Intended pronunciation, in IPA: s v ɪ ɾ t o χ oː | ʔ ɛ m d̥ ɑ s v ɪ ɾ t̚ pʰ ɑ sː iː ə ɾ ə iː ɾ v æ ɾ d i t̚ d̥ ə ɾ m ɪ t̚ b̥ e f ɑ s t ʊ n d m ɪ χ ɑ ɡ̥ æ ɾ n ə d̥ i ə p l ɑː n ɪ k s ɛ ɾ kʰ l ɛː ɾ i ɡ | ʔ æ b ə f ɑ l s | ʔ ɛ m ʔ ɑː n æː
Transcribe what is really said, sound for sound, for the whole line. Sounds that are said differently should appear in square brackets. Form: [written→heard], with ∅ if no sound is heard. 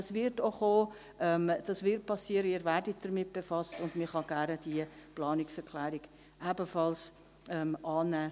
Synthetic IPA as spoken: s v ɪ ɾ t o χ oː | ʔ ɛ m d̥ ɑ s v ɪ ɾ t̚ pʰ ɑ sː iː ə ɾ ə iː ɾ v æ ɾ d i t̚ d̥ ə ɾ m ɪ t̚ b̥ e f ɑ s t ʊ n d m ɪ χ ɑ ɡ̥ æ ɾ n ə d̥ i ə p l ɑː n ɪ k s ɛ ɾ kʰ l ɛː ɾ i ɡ | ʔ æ b ə f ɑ l s | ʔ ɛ m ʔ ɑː n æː

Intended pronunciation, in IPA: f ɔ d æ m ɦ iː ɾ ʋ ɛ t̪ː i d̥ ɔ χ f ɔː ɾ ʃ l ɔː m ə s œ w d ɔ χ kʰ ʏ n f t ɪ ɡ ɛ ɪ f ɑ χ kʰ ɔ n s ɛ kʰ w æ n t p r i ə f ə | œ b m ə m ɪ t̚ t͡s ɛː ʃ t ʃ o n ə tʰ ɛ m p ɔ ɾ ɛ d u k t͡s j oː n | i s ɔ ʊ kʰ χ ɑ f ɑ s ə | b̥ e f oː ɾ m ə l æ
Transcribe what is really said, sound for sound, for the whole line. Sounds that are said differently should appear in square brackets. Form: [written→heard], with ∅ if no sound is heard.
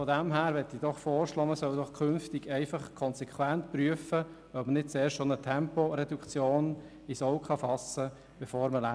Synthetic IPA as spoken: f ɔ d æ m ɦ [iː→æː] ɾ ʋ ɛ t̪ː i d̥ ɔ χ f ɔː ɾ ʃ l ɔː m ə s œ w d ɔ χ kʰ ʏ n f t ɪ ɡ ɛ ɪ f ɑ χ kʰ ɔ n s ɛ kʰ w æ n t p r [i→y] ə f ə | œ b m ə [m→n] ɪ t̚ t͡s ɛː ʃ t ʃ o n ə tʰ ɛ m p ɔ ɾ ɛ d u k t͡s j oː n | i s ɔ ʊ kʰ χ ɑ f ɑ s ə | b̥ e f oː ɾ m ə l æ

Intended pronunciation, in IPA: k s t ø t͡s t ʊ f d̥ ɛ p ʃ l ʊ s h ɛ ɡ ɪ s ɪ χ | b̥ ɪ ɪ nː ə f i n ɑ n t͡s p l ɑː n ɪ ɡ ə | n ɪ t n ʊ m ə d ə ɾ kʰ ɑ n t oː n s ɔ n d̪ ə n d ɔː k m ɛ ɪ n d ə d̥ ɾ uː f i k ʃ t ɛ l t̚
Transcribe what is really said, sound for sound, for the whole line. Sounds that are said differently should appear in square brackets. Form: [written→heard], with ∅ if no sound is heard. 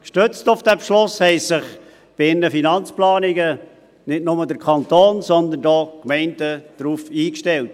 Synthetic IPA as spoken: k [s→ʃ] t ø t͡s t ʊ f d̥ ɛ p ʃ l ʊ s h ɛ [ɡ→∅] ɪ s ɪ χ | b̥ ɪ ɪ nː ə f i n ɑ n t͡s p l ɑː n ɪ ɡ ə | n ɪ t n ʊ m ə d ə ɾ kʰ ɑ n t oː n s ɔ n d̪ ə n d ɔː k m ɛ ɪ n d ə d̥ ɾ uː f [i→iː] k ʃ t ɛ l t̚

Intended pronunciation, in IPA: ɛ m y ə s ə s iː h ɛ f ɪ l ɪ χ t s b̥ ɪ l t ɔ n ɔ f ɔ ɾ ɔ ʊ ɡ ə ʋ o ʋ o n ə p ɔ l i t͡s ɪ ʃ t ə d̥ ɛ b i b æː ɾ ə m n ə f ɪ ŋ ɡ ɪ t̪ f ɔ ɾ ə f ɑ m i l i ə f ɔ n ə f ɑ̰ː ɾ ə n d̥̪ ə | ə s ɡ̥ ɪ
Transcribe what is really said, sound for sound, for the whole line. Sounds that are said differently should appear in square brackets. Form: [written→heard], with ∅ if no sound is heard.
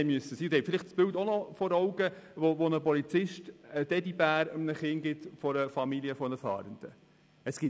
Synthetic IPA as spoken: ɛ m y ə s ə s iː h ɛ f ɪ l ɪ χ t s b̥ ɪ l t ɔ n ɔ f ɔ ɾ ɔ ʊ ɡ ə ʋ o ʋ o n ə p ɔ l i t͡s ɪ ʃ t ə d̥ ɛ [b→d] i b æː ɾ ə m n ə [f→χ] ɪ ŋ ɡ ɪ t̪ f ɔ ɾ ə f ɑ m i l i ə f ɔ n ə f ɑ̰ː ɾ ə n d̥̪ ə | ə s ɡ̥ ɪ

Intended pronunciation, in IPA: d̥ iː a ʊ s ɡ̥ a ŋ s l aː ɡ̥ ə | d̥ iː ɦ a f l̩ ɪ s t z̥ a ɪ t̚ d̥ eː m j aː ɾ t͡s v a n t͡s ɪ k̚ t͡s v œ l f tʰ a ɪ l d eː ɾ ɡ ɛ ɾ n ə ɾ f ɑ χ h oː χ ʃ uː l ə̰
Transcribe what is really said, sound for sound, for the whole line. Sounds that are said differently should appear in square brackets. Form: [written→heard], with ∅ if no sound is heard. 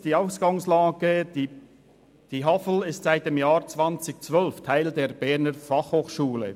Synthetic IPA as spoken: d̥ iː a ʊ s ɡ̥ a ŋ s l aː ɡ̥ ə | d̥ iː ɦ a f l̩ ɪ s t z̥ a ɪ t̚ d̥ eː m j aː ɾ t͡s v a n t͡s ɪ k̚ t͡s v œ l f tʰ a ɪ l d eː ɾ [ɡ→b] ɛ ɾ n ə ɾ f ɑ χ h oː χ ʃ uː l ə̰

